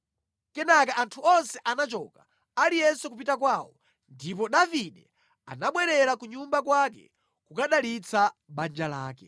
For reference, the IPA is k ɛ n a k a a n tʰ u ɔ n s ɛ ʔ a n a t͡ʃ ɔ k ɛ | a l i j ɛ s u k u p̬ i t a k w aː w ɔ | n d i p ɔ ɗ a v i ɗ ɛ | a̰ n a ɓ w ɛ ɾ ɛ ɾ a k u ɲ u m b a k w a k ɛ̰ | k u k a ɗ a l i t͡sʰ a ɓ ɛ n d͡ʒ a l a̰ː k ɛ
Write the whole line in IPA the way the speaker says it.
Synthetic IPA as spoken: k ɛ n a k a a n tʰ u ɔ n s ɛ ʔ a n a t͡ʃ ɔ k a | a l i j ɛ s u k u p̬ i t a k w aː w ɔ | n d i p ɔ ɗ a v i ɗ ɛ | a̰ n a ɓ w ɛ ɾ ɛ ɾ a k u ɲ u m b a k w a k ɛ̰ | k u k a ɗ a l i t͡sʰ a ɓ a n d͡ʒ a l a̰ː k ɛ